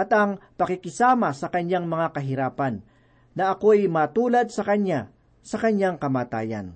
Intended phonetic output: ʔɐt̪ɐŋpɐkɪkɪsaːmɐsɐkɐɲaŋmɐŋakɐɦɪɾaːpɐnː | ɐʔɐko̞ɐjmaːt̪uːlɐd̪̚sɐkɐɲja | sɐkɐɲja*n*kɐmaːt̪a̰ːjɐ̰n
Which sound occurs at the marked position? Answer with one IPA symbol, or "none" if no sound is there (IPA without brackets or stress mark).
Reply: ŋ